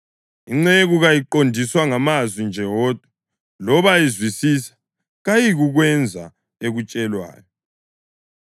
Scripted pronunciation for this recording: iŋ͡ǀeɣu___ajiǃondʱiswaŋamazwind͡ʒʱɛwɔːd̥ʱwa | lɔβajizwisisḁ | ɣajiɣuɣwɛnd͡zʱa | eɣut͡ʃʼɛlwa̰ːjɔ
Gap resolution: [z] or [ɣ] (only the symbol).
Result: ɣ